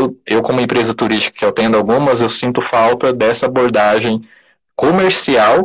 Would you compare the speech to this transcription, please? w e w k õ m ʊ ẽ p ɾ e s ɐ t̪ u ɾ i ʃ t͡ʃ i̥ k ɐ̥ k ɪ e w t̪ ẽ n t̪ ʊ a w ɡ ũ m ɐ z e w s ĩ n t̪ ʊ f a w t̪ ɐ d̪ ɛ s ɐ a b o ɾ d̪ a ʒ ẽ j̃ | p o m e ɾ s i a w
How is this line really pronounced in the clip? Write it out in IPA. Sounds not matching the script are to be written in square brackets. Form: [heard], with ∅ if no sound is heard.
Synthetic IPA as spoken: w e w k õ m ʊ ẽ p ɾ e [z] ɐ t̪ u ɾ i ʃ t͡ʃ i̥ k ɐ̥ k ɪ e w t̪ ẽ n [d̪] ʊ a w ɡ ũ m ɐ z e w s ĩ n t̪ ʊ f a w t̪ ɐ d̪ ɛ s ɐ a b o ɾ d̪ a ʒ ẽ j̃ | [k] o m e ɾ s i a w

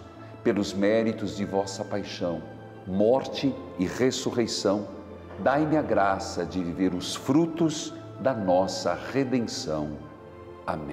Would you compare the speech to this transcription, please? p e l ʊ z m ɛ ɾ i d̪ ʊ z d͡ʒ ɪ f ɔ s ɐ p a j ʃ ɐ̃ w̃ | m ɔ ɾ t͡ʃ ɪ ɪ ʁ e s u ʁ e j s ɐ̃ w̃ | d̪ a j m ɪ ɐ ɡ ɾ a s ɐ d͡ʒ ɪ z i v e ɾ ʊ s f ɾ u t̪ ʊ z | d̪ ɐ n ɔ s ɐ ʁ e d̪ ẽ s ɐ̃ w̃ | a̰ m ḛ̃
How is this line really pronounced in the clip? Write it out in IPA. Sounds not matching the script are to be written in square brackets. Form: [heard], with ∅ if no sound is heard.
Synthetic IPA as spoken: p e l ʊ z m ɛ ɾ i [t̪] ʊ z d͡ʒ ɪ [v] ɔ s ɐ p a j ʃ ɐ̃ w̃ | m ɔ ɾ t͡ʃ ɪ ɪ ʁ e s u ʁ e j s ɐ̃ w̃ | d̪ a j m ɪ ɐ ɡ ɾ a s ɐ d͡ʒ ɪ [v] i v e ɾ ʊ s f ɾ u t̪ ʊ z | d̪ ɐ n ɔ s ɐ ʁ e d̪ ẽ s ɐ̃ w̃ | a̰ m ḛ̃

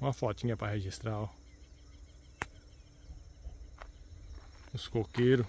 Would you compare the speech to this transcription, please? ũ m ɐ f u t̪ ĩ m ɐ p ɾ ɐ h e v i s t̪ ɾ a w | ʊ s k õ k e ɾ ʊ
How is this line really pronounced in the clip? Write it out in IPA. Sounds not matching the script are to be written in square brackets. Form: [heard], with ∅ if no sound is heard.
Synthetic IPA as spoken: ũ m ɐ f [ɔ] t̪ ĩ [ɲ] ɐ p ɾ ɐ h e [ʒ] i s t̪ ɾ a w | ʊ s k [o] k e ɾ ʊ

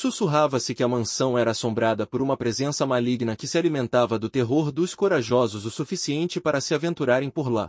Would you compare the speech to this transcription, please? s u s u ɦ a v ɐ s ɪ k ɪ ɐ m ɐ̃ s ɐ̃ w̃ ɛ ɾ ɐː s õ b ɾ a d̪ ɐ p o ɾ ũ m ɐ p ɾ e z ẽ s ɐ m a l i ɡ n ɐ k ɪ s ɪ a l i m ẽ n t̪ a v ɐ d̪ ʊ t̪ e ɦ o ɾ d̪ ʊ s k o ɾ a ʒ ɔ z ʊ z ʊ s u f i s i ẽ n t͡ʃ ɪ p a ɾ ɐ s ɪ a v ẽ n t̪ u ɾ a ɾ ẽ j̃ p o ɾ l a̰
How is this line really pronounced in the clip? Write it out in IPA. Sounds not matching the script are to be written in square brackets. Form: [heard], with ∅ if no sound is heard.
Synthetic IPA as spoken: s u s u ɦ a v ɐ s ɪ k ɪ ɐ m ɐ̃ s ɐ̃ w̃ ɛ ɾ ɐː s õ b ɾ a d̪ ɐ p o ɾ ũ m ɐ p ɾ e z ẽ s ɐ m a l i ɡ n ɐ k ɪ s ɪ a l i m ẽ n t̪ a v ɐ d̪ ʊ t̪ e ɦ o ɾ d̪ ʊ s k o ɾ a ʒ ɔ z ʊ z ʊ s u f i s i ẽ n t͡ʃ ɪ p a ɾ ɐ s ɪ a v ẽ n t̪ u ɾ a ɾ ẽ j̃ p o ɾ l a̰

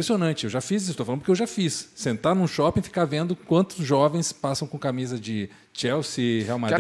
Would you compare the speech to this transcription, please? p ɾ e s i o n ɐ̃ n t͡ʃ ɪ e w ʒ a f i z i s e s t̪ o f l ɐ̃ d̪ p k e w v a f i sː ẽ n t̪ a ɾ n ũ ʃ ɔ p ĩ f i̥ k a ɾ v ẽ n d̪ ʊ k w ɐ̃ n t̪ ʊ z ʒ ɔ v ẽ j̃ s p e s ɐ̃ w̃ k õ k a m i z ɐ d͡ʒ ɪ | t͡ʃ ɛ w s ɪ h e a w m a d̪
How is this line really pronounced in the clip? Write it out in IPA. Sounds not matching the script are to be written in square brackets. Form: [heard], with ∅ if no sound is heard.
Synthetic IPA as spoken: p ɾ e s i o n ɐ̃ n t͡ʃ ɪ e w ʒ a f i z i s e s t̪ o f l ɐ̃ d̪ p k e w [ʒ] a f i sː ẽ n t̪ a ɾ n ũ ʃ ɔ p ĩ f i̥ k a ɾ v ẽ n d̪ ʊ k w ɐ̃ n t̪ ʊ z ʒ ɔ v ẽ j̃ s p [a] s ɐ̃ w̃ k õ k a m i z ɐ d͡ʒ ɪ | t͡ʃ ɛ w s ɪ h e a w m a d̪

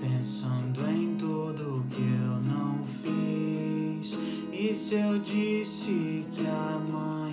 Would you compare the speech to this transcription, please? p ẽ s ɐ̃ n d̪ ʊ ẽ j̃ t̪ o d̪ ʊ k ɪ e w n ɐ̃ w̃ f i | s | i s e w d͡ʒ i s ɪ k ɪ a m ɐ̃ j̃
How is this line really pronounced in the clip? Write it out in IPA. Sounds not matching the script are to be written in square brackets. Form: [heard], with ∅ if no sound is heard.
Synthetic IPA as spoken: p ẽ s ɐ̃ n d̪ ʊ ẽ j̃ t̪ o d̪ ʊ k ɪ e w n ɐ̃ w̃ f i | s | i s e w d͡ʒ i s ɪ k ɪ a m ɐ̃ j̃

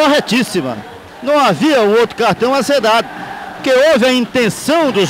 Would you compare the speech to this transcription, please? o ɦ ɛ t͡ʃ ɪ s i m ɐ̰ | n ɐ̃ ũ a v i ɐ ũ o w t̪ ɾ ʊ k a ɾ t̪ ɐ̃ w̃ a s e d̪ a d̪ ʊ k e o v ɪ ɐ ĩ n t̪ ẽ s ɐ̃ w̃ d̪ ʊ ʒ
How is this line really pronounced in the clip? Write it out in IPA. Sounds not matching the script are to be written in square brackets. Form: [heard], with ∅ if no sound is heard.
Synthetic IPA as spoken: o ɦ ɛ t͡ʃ [i] s i m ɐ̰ | n ɐ̃ [w̃] a v i ɐ ũ o w t̪ ɾ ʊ k a ɾ t̪ ɐ̃ w̃ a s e d̪ a d̪ ʊ k e o v ɪ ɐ ĩ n t̪ ẽ s ɐ̃ w̃ d̪ ʊ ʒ

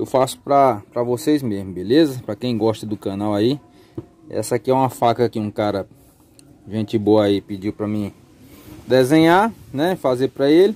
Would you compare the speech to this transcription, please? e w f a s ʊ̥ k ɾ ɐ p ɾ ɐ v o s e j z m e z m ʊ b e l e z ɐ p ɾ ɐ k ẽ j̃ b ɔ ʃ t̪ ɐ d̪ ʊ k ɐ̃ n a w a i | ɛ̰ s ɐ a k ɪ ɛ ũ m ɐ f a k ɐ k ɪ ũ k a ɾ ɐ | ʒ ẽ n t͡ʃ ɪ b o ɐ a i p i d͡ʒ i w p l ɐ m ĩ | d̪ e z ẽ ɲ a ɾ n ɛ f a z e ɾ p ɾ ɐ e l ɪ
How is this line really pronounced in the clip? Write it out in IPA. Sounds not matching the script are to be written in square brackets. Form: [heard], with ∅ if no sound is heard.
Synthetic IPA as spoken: e w f a s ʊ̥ [p] ɾ ɐ p ɾ ɐ v o s e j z m e z m ʊ b e l e z ɐ p ɾ ɐ k ẽ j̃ [ɡ] ɔ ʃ t̪ ɐ d̪ ʊ k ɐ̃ n a w a i | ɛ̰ s ɐ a k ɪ ɛ ũ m ɐ f a k ɐ k ɪ ũ k a ɾ ɐ | ʒ ẽ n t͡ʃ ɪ b o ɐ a i p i d͡ʒ i w p [ɾ] ɐ m ĩ | d̪ e z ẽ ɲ a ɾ n ɛ f a z e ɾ p ɾ ɐ e l ɪ

